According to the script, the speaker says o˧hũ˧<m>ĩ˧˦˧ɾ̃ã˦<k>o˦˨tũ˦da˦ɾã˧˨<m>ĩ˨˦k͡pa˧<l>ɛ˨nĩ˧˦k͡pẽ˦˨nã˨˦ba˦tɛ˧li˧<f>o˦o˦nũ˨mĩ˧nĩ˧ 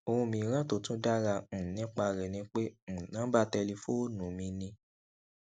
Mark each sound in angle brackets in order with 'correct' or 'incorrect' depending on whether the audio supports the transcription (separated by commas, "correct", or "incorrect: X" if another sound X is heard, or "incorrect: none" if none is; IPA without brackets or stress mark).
correct, incorrect: t, incorrect: n, incorrect: ɾ, correct